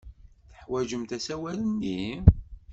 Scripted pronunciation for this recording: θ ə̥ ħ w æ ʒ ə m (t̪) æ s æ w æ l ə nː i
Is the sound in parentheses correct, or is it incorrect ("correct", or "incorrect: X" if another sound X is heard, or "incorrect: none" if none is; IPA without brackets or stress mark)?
correct